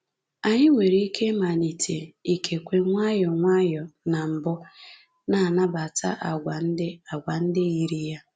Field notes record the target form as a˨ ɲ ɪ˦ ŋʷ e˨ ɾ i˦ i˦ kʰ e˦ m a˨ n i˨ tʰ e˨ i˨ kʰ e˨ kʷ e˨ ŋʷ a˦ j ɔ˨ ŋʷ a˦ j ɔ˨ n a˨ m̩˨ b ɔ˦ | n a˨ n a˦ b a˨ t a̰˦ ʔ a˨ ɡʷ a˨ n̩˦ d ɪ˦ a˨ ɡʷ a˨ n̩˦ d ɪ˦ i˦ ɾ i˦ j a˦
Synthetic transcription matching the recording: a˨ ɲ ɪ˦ ŋʷ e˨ ɾ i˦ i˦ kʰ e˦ m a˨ n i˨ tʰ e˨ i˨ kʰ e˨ kʷ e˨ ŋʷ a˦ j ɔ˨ ŋʷ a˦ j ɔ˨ n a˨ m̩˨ b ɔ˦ | n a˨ n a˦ b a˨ t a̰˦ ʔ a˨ ɡʷ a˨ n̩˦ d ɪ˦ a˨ ɡʷ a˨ n̩˦ d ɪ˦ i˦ ɾ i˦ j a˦